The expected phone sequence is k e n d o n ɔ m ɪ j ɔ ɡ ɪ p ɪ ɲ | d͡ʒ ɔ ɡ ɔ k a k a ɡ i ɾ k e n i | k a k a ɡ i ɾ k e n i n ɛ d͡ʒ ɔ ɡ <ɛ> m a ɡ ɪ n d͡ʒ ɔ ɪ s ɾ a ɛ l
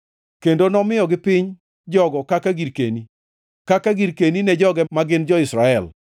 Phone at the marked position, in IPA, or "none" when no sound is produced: ɛ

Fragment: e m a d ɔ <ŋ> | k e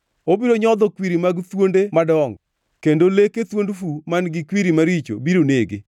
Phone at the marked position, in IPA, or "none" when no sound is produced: ŋ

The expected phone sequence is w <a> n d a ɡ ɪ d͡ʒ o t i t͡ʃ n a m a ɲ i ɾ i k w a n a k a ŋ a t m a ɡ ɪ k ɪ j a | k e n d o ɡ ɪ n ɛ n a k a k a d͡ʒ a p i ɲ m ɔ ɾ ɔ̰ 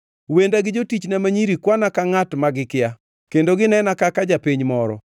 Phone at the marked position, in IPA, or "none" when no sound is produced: e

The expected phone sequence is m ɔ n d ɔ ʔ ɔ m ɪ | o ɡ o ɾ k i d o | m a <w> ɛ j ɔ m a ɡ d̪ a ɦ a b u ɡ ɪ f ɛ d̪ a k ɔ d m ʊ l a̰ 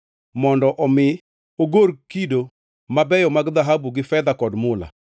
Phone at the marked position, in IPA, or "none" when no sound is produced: b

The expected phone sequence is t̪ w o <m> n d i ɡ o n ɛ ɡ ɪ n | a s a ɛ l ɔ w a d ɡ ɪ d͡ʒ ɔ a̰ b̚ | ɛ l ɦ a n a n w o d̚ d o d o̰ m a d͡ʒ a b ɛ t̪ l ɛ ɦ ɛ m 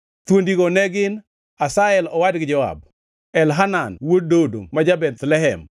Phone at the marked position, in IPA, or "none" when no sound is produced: none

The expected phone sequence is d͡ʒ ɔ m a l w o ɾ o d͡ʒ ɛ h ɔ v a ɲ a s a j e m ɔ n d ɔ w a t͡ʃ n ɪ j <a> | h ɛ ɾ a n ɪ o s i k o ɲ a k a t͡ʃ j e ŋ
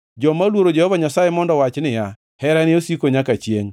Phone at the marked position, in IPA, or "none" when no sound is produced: a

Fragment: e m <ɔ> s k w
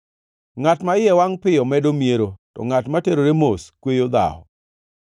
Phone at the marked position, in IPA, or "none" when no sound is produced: o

